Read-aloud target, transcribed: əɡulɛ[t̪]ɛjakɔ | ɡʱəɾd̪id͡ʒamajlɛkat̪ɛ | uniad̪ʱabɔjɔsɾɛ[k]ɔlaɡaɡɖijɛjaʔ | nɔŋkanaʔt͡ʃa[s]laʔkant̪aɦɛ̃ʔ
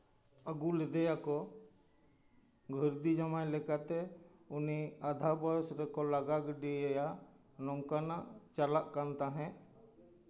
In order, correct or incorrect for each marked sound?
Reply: incorrect: d̪, correct, incorrect: none

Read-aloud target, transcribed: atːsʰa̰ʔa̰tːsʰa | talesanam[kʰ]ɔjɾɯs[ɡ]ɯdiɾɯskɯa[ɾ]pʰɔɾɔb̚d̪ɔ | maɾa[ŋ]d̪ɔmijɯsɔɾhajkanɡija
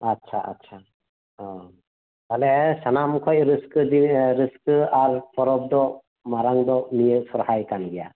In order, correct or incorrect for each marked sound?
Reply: correct, incorrect: k, correct, correct

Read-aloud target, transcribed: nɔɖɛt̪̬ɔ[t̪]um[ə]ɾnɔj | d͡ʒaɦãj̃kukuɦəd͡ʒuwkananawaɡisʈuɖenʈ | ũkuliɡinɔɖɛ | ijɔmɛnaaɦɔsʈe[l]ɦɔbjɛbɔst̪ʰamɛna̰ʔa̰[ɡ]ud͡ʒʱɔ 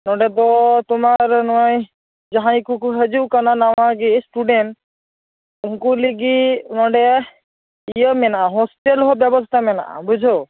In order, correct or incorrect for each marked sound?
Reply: correct, incorrect: a, correct, incorrect: b

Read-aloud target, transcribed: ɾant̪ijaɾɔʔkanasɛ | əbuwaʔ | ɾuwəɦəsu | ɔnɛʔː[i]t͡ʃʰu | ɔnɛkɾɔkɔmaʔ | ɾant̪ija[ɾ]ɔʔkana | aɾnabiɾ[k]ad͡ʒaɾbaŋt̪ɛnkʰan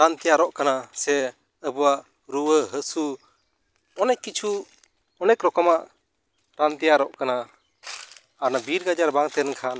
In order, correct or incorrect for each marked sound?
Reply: correct, correct, incorrect: ɡ

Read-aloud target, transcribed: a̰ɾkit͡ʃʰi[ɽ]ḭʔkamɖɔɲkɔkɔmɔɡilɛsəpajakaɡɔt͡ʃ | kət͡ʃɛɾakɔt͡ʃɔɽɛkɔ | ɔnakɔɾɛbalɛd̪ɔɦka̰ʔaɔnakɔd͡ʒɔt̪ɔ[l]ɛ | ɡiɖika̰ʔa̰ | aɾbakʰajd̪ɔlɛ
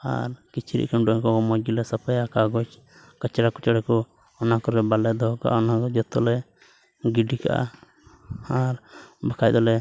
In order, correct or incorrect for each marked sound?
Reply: incorrect: ɾ, correct

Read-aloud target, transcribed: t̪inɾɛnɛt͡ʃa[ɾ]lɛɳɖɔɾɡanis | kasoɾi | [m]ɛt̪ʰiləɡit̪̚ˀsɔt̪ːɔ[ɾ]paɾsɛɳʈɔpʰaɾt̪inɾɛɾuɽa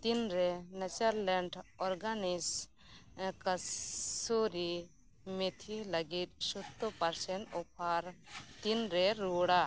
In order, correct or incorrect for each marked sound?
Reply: correct, correct, incorrect: none

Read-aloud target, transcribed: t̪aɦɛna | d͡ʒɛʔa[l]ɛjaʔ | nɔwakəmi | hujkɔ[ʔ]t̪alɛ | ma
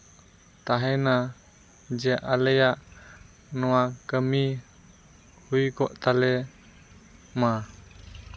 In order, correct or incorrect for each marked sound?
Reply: correct, correct

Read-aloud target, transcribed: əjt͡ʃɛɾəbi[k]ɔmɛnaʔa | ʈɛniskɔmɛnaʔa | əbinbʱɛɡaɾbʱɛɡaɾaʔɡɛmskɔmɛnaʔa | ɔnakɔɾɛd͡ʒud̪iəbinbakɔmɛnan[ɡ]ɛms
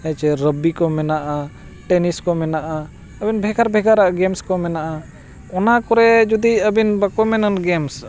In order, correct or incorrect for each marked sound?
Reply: correct, correct

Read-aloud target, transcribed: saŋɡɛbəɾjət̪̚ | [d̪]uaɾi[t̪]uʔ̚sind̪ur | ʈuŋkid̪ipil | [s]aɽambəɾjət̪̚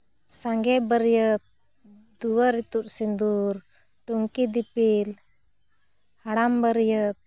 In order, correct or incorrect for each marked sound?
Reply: correct, correct, incorrect: h

